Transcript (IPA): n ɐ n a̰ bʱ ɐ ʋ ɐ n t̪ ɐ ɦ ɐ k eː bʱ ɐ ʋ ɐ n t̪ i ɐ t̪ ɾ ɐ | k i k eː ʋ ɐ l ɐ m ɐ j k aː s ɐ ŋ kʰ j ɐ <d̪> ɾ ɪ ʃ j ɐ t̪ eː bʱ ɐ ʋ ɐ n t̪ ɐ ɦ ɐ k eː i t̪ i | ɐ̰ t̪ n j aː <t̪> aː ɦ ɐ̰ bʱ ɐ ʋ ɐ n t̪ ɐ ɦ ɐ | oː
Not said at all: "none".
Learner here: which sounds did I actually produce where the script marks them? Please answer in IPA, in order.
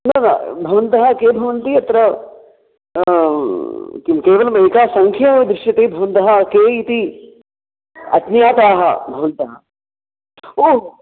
d̪, t̪

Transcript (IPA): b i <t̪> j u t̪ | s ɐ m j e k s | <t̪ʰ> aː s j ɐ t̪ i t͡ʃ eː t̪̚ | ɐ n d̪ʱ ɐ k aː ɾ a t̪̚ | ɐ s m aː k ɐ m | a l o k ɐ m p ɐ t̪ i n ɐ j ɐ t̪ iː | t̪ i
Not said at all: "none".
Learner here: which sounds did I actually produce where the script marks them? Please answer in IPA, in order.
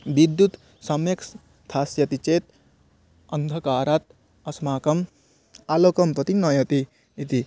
d̪, t̪ʰ

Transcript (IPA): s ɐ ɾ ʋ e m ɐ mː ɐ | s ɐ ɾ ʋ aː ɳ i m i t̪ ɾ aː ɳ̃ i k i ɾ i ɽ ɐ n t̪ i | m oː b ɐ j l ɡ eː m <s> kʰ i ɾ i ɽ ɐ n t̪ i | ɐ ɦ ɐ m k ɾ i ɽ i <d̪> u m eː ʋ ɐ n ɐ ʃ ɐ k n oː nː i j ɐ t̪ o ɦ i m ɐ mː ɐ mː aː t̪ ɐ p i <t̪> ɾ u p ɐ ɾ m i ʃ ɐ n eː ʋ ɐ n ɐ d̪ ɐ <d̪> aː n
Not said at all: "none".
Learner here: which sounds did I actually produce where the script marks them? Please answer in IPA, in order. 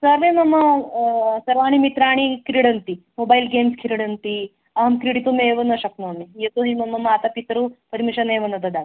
s, t̪, t̪, d̪

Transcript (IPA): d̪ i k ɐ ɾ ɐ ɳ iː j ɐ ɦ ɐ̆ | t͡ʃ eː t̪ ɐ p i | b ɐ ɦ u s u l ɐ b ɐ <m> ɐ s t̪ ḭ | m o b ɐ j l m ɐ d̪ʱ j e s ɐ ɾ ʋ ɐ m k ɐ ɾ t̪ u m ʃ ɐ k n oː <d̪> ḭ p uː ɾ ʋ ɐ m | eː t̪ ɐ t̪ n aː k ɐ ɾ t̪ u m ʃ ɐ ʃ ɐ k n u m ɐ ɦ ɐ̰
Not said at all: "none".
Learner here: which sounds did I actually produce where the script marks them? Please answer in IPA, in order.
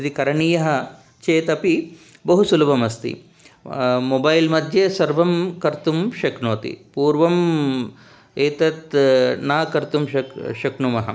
m, t̪

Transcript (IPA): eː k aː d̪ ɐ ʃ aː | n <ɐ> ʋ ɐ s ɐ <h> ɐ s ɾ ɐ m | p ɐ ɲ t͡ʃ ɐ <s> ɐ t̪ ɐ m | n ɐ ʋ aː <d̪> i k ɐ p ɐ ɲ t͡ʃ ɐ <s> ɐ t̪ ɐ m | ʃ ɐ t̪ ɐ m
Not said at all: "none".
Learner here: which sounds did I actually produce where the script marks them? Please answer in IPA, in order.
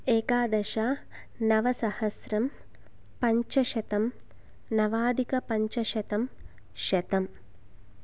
ɐ, h, ʃ, d̪, ʃ

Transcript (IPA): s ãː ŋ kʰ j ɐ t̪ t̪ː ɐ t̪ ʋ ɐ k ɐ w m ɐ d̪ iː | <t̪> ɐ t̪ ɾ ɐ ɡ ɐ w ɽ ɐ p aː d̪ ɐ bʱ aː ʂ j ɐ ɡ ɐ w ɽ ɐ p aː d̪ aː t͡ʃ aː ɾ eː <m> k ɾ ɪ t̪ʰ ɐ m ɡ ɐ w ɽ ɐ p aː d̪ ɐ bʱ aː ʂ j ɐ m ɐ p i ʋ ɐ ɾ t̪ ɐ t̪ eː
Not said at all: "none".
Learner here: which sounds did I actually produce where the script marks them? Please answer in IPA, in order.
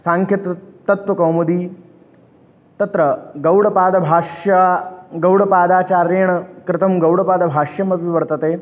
t̪, ɳ

